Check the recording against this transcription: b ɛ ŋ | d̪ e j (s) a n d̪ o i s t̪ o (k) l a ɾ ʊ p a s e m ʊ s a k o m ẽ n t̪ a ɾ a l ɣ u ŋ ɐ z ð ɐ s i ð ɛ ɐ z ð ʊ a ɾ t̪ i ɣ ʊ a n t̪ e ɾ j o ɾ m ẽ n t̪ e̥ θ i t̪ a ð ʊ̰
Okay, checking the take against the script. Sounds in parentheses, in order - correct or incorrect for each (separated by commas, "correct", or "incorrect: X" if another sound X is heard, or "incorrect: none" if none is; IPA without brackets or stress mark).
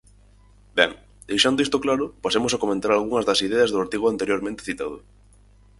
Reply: incorrect: ʃ, correct